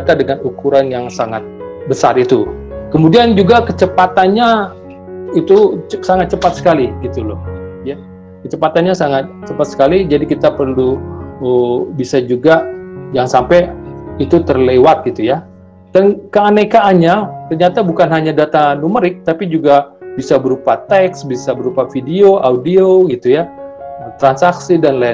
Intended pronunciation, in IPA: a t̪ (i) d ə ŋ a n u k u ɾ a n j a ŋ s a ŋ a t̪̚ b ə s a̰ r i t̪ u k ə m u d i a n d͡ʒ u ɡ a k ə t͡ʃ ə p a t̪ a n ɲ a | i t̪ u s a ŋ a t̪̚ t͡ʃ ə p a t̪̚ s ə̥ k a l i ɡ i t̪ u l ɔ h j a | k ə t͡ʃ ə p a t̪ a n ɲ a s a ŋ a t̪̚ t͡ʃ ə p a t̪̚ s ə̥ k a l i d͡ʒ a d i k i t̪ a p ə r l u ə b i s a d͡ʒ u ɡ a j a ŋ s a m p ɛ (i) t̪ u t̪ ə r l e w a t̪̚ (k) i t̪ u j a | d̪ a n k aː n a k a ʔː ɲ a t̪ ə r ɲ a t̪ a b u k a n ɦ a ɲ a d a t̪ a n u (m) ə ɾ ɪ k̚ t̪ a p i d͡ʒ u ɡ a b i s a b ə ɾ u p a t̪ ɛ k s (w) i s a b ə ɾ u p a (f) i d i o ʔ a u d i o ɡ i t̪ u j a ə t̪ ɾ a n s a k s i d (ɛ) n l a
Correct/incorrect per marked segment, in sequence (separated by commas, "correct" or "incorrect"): incorrect, correct, incorrect, correct, incorrect, correct, incorrect